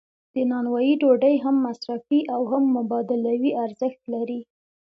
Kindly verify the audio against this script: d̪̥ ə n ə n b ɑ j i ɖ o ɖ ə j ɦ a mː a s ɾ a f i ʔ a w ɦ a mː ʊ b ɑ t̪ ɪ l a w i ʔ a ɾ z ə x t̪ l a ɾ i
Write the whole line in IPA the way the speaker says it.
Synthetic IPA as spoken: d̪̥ ə n ɑ n w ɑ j i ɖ o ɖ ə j ɦ a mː a s ɾ a f i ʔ a w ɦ a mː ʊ b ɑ d̪ ɪ l a w i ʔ a ɾ z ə x t̪ l a ɾ i